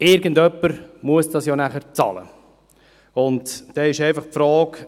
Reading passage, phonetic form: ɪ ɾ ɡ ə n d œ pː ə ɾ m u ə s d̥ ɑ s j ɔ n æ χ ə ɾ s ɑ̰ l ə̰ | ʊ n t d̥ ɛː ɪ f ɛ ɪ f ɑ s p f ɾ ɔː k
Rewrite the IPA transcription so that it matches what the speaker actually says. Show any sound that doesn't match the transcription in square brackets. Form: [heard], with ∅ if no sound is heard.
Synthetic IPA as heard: ɪ ɾ ɡ ə n d œ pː ə ɾ m u ə s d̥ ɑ s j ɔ n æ χ ə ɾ [t͡s] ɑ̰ l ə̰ | ʊ n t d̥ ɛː ɪ [ʃ] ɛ ɪ f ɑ [χ] p f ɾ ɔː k